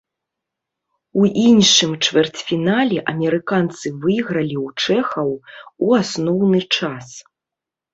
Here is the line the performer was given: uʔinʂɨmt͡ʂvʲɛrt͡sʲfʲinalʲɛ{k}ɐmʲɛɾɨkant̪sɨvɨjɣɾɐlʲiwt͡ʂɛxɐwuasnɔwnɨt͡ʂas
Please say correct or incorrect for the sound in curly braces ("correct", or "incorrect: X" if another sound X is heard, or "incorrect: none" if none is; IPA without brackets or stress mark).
incorrect: ʔ